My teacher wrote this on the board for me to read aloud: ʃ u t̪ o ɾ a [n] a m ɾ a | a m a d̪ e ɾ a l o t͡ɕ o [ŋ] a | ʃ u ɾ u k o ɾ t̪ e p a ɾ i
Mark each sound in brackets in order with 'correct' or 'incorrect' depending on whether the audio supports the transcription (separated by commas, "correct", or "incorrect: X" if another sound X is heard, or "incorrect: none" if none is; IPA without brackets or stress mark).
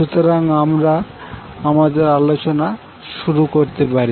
incorrect: ŋ, incorrect: n